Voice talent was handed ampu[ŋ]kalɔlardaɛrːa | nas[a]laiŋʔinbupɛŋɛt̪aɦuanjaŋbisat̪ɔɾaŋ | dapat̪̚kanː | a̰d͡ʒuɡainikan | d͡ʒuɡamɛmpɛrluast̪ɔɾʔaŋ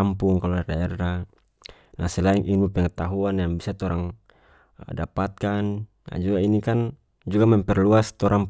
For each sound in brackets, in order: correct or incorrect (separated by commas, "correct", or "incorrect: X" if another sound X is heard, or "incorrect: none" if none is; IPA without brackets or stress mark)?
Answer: correct, incorrect: ɛ